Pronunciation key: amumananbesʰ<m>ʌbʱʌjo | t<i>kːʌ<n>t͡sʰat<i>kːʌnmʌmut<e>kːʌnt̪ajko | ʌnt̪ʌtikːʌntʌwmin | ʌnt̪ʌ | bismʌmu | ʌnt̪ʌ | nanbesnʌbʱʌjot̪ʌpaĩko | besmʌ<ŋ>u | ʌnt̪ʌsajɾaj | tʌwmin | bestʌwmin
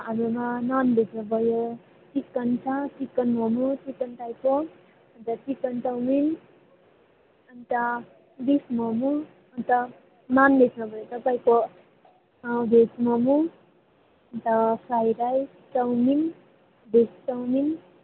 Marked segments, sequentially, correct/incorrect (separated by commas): incorrect, correct, correct, correct, incorrect, incorrect